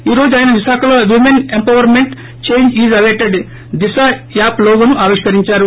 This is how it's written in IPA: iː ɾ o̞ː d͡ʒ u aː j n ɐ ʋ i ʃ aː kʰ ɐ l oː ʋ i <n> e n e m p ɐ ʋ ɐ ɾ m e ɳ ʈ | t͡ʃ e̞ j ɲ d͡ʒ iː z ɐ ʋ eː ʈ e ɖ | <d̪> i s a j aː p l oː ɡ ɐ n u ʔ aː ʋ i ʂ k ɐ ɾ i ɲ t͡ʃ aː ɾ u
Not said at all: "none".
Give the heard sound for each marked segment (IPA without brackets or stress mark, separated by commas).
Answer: m, d̪